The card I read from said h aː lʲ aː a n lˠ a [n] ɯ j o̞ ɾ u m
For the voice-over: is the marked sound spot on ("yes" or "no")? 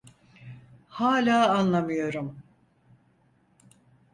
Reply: no